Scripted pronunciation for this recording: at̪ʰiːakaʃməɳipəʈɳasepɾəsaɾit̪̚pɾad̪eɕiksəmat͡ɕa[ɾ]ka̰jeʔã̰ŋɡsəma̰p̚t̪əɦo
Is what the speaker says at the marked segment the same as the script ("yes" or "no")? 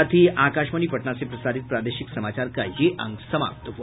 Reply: yes